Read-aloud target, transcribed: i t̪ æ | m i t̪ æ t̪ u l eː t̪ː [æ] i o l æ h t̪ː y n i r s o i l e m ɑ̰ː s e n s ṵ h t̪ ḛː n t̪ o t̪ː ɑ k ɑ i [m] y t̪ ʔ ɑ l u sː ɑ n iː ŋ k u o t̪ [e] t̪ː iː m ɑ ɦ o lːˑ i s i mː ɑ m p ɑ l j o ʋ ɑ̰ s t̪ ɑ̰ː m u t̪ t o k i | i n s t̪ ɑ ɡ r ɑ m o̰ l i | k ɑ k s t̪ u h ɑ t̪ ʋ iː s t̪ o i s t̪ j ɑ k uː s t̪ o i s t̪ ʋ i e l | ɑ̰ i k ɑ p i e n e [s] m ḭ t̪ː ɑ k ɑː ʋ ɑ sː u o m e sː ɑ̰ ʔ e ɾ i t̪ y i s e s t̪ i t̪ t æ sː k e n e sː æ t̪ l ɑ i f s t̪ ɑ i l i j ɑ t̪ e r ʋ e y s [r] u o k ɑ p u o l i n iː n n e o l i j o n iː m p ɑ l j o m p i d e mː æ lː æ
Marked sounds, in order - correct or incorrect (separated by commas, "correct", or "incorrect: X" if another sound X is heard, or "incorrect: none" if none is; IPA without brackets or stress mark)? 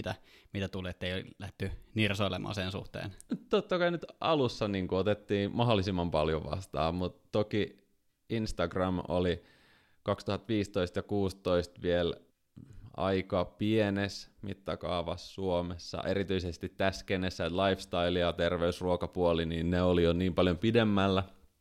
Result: incorrect: e, incorrect: n, correct, correct, correct